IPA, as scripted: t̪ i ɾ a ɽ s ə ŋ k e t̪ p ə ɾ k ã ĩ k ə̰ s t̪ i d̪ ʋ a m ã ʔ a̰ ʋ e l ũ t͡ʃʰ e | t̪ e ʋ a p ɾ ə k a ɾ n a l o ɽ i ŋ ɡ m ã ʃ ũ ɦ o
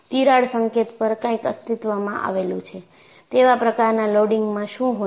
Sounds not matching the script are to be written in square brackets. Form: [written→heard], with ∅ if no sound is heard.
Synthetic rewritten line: t̪ i ɾ a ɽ s ə ŋ k e t̪ p ə ɾ k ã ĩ k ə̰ s t̪ i [d̪→t̪] ʋ a m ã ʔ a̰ ʋ e l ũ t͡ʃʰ e | t̪ e ʋ a p ɾ ə k a ɾ n a l o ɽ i ŋ ɡ m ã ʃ ũ ɦ o